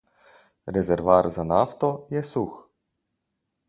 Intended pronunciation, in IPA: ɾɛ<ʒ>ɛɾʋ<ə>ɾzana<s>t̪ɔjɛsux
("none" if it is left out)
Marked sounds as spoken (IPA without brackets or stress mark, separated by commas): z, a, f